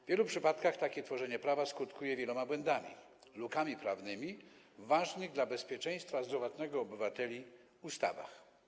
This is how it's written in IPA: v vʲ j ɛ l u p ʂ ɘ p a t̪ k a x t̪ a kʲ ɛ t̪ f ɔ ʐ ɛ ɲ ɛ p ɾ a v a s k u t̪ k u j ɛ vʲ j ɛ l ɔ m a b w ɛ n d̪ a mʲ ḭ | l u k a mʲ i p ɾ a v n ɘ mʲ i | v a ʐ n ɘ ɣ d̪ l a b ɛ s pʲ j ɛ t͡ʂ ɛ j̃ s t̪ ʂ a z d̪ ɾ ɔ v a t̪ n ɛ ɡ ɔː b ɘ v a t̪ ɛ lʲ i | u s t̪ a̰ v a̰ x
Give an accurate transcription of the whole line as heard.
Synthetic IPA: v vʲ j ɛ l u p ʂ ɘ p a t̪ k a x t̪ a kʲ ɛ t̪ f ɔ ʐ ɛ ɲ ɛ p ɾ a v a s k u t̪ k u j ɛ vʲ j ɛ l ɔ m a b w ɛ n d̪ a mʲ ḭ | l u k a mʲ i p ɾ a v n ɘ mʲ i | v a ʐ n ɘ ɣ d̪ l a b ɛ s pʲ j ɛ t͡ʂ ɛ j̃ s t̪ f a z d̪ ɾ ɔ v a t̪ n ɛ ɡ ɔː b ɘ v a t̪ ɛ lʲ i | u s t̪ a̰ v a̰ x

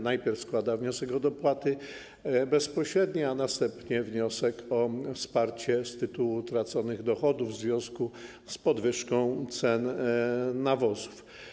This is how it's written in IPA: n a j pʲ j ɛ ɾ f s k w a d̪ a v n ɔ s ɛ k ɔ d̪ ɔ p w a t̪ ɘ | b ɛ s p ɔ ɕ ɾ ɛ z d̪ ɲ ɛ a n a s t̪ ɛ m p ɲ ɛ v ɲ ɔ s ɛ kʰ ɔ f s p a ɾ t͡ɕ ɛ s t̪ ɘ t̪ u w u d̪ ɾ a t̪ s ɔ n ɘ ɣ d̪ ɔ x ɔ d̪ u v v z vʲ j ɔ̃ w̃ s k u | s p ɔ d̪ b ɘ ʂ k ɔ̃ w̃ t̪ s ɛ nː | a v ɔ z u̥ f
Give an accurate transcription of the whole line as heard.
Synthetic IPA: n a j pʲ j ɛ ɾ f s k w a d̪ a v ɲ ɔ s ɛ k ɔ d̪ ɔ p w a t̪ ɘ | b ɛ s p ɔ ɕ ɾ ɛ d̪ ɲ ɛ a n a s t̪ ɛ m p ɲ ɛ v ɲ ɔ s ɛ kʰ ɔ f s p a ɾ t͡ɕ ɛ s t̪ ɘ t̪ u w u t̪ ɾ a t̪ s ɔ n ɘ ɣ d̪ ɔ x ɔ d̪ u v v z vʲ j ɔ̃ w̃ s k u | s p ɔ d̪ v ɘ ʂ k ɔ̃ w̃ t̪ s ɛ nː | a v ɔ z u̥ f

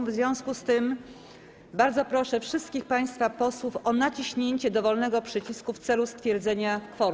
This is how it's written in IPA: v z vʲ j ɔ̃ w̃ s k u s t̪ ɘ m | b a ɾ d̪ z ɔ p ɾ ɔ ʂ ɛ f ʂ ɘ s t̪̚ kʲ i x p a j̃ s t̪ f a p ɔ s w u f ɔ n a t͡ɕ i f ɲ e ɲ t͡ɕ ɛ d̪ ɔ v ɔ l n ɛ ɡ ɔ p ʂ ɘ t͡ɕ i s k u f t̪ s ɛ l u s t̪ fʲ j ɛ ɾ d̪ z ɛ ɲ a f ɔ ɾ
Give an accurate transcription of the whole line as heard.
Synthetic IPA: v z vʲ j ɔ̃ w̃ s k u s t̪ ɘ m | b a ɾ d̪ z ɔ p ɾ ɔ ʂ ɛ f ʂ ɘ s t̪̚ kʲ i x p a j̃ s t̪ f a p ɔ s w u f ɔ n a t͡ɕ i ɕ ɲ e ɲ t͡ɕ ɛ d̪ ɔ v ɔ l n ɛ ɡ ɔ p ʂ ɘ t͡ɕ i s k u f t̪ s ɛ l u s t̪ fʲ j ɛ ɾ d̪ z ɛ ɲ a f ɔ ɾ

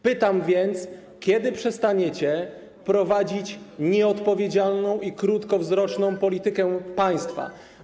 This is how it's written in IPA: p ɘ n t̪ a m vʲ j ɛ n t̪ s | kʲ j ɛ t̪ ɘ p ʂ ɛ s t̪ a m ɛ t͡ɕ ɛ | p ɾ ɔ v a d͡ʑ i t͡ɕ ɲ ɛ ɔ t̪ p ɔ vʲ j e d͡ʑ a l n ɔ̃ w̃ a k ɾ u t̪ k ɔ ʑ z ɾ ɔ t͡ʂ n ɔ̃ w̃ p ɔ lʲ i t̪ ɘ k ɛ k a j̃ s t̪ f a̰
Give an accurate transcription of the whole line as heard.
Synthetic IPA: p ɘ t̪ a m vʲ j ɛ n t̪ s | kʲ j ɛ d̪ ɘ p ʂ ɛ s t̪ a ɲ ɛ t͡ɕ ɛ | p ɾ ɔ v a d͡ʑ i t͡ɕ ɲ ɛ ɔ t̪ p ɔ vʲ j e d͡ʑ a l n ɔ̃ w̃ i k ɾ u t̪ k ɔ v z ɾ ɔ t͡ʂ n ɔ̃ w̃ p ɔ lʲ i t̪ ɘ k ɛ p a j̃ s t̪ f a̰

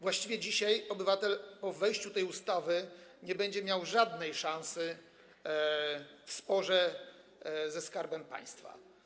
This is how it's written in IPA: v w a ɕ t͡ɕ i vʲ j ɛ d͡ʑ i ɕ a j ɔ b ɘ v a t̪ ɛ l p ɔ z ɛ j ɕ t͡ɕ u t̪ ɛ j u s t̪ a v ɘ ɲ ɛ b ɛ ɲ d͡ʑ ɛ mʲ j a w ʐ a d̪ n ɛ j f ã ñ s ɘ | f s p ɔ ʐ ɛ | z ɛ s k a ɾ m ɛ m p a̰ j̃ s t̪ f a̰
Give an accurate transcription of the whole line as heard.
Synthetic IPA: v w a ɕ t͡ɕ i vʲ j ɛ d͡ʑ i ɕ a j ɔ b ɘ v a t̪ ɛ l p ɔ v ɛ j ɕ t͡ɕ u t̪ ɛ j u s t̪ a v ɘ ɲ ɛ b ɛ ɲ d͡ʑ ɛ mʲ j a w ʐ a d̪ n ɛ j ʂ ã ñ s ɘ | f s p ɔ ʐ ɛ | z ɛ s k a ɾ b ɛ m p a̰ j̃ s t̪ f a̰

